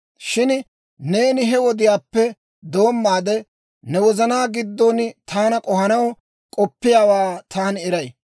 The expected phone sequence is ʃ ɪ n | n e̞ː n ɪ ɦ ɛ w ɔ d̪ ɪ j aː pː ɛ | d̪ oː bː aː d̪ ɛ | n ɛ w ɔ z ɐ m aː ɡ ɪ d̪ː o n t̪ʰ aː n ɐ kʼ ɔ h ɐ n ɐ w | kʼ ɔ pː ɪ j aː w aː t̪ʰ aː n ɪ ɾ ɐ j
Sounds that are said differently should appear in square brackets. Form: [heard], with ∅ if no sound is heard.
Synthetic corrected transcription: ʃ ɪ n | n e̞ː n ɪ ɦ ɛ w ɔ d̪ ɪ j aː pː ɛ | d̪ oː [mː] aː d̪ ɛ | n ɛ w ɔ z ɐ [n] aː ɡ ɪ d̪ː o n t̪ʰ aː n ɐ kʼ ɔ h ɐ n ɐ w | kʼ ɔ pː ɪ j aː w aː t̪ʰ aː n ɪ ɾ ɐ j